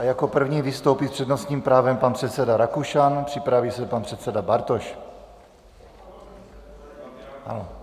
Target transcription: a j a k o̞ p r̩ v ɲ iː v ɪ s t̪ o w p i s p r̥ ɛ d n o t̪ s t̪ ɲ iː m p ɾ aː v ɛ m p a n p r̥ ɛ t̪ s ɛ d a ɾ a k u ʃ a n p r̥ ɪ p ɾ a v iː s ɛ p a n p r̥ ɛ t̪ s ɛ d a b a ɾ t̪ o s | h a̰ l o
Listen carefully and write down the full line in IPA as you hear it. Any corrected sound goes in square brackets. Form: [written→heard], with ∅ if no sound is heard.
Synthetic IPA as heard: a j a k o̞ p r̩ v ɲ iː v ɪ s t̪ o w p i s p r̥ ɛ d n o [t̪→∅] s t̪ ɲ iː m p ɾ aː v ɛ m p a n p r̥ ɛ t̪ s ɛ d a ɾ a k u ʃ a n p r̥ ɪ p ɾ a v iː s ɛ p a n p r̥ ɛ t̪ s ɛ d a b a ɾ t̪ o [s→ʃ] | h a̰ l o